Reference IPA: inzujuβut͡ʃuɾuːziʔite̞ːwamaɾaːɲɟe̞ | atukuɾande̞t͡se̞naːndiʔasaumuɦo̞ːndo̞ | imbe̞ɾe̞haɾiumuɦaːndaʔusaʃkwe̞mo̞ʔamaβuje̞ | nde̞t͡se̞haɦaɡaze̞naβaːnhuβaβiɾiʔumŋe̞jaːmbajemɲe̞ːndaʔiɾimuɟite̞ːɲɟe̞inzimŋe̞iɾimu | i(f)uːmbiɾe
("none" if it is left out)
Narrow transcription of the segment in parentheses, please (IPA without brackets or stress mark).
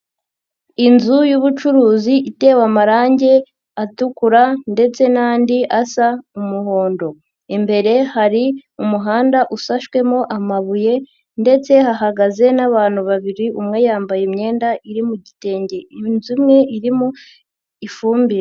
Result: f